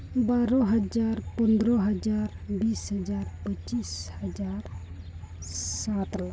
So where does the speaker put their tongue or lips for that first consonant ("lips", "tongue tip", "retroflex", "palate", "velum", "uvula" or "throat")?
lips